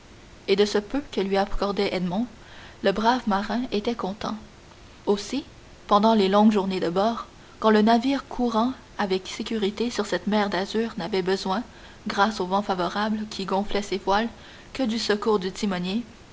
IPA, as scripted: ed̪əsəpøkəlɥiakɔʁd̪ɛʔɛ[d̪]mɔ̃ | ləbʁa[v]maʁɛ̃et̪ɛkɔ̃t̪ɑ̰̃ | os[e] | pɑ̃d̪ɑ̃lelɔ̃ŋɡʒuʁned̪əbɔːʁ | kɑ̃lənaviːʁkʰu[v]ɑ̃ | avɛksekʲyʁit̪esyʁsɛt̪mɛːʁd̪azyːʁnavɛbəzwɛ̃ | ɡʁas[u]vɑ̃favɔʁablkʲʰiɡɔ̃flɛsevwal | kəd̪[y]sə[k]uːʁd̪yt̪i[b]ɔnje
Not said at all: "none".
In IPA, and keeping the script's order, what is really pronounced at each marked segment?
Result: d̪, v, i, ʁ, o, y, k, m

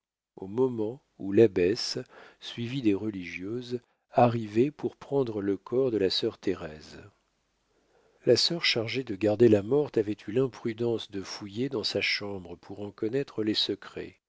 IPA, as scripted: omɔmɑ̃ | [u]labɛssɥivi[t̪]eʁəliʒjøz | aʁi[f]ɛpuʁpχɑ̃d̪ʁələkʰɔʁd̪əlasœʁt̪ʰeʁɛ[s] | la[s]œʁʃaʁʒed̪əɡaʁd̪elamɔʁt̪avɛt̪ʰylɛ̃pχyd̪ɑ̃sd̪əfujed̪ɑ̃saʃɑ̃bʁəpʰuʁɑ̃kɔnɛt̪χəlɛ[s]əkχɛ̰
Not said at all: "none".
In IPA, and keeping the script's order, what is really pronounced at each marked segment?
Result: u, d̪, v, z, s, s

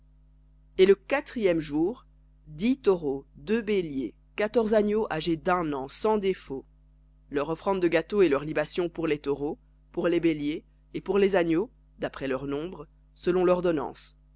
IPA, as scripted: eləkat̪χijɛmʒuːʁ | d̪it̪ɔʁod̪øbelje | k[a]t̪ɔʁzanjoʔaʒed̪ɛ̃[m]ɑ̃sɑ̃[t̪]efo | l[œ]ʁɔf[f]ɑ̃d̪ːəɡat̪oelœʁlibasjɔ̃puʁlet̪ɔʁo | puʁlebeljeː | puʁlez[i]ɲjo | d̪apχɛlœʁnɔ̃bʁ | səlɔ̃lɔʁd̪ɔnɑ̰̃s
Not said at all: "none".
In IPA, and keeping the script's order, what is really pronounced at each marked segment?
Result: a, n, d̪, œ, χ, a

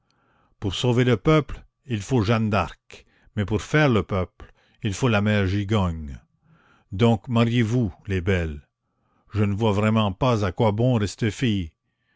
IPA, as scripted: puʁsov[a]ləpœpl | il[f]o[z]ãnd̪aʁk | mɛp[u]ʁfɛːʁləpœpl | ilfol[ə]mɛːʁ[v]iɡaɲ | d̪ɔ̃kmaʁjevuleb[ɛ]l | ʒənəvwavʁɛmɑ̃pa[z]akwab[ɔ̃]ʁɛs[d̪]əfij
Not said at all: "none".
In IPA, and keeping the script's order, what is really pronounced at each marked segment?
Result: e, f, ʒ, u, a, ʒ, ɛ, z, ɔ̃, t̪

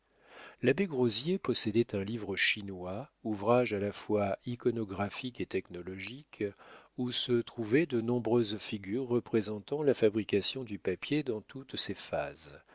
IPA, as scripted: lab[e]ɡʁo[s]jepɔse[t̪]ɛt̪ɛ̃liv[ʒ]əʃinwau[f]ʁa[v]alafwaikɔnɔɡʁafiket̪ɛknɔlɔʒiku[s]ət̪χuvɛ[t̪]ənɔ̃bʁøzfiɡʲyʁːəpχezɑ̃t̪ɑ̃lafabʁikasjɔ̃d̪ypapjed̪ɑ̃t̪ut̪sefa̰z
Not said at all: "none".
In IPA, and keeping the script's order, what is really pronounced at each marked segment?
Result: e, z, d̪, ʁ, v, ʒ, s, d̪

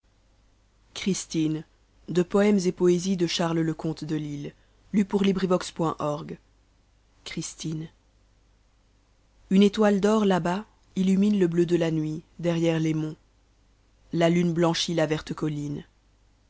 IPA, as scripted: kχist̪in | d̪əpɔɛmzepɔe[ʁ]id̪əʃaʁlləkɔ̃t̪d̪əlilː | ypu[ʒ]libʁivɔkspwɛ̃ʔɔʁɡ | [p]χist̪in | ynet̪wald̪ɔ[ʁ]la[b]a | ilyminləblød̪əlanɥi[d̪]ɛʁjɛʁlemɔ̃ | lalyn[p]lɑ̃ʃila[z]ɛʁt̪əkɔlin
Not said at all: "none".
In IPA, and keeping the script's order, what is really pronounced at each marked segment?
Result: z, ʁ, k, ʁ, b, d̪, b, v

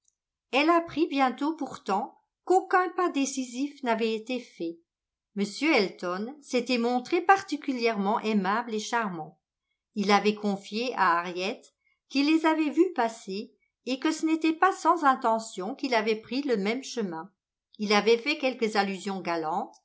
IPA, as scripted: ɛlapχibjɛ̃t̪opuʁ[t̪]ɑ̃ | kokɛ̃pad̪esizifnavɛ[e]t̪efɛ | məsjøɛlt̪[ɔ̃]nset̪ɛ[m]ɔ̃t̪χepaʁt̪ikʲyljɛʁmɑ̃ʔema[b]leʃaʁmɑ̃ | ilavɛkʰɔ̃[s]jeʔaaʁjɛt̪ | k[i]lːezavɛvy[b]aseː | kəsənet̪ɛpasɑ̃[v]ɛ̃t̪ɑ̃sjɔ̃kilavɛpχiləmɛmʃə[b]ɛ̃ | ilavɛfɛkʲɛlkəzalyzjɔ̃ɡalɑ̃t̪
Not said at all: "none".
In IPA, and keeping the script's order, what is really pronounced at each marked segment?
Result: t̪, e, ɔ, m, b, f, i, p, z, m

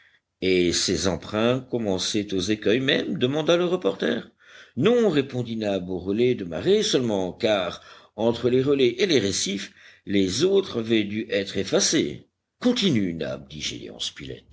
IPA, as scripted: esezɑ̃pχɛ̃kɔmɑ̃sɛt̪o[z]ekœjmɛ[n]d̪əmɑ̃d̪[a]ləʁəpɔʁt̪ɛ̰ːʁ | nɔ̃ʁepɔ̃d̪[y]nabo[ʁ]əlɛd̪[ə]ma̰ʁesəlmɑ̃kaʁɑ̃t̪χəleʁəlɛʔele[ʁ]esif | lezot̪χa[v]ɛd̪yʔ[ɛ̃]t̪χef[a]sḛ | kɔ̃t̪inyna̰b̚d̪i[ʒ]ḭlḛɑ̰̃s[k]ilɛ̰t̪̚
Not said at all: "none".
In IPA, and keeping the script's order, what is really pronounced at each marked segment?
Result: z, m, a, i, ʁ, ə, ʁ, v, ɛ, a, ʒ, p

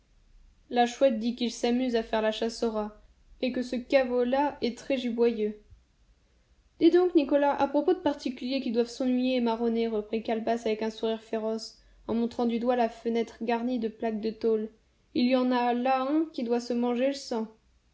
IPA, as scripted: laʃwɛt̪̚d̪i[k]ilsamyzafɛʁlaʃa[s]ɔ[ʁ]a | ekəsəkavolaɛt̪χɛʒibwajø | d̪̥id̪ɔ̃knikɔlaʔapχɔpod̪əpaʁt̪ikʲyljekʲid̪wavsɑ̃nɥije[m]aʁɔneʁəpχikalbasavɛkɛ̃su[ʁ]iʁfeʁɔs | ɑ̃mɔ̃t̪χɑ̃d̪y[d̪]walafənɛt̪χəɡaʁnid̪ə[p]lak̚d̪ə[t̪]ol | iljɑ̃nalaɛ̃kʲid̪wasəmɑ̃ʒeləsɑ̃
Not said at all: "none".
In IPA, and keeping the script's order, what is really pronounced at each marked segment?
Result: k, s, ʁ, m, ʁ, d̪, p, t̪

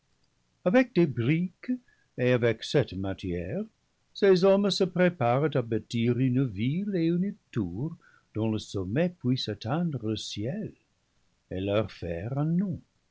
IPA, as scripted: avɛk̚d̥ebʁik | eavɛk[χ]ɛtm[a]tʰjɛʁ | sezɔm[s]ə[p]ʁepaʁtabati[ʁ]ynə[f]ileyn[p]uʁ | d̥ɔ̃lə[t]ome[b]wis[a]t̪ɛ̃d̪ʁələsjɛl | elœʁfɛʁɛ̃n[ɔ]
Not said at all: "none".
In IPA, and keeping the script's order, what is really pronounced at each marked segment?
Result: s, a, s, p, ʁ, v, t, s, p, a, ɔ̃

